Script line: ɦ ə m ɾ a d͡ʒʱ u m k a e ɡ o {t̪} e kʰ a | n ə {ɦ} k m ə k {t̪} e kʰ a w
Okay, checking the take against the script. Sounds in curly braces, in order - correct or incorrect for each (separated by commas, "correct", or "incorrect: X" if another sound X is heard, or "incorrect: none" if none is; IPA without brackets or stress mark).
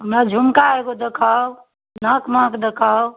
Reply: incorrect: d̪, incorrect: none, incorrect: d̪